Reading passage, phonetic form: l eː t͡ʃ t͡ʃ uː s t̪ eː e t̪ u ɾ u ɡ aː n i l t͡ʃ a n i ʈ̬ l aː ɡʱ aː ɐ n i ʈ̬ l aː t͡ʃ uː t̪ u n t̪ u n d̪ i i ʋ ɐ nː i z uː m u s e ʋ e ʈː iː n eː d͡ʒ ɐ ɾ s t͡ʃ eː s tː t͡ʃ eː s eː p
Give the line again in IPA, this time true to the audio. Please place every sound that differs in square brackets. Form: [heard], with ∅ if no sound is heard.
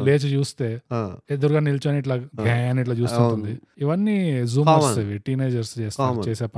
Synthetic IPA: l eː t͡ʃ t͡ʃ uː s t̪ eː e [d̪] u ɾ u ɡ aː n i l t͡ʃ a n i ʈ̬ l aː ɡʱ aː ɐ n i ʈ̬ l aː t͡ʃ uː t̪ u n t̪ u n d̪ i i ʋ ɐ nː i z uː m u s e ʋ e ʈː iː n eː d͡ʒ ɐ ɾ s t͡ʃ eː s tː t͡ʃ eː s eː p